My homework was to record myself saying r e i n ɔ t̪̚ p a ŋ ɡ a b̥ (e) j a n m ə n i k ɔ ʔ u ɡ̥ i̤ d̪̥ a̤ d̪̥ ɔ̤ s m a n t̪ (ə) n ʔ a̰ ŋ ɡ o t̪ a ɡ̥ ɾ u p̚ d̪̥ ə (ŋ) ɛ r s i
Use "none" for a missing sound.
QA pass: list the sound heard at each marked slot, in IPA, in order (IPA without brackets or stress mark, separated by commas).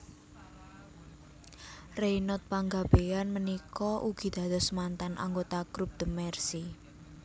e, a, m